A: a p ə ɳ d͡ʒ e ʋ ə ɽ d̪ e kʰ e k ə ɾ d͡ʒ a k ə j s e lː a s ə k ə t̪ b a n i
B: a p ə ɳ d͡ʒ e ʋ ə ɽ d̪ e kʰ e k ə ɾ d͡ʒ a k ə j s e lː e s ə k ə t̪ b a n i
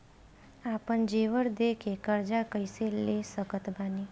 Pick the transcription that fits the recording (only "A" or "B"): B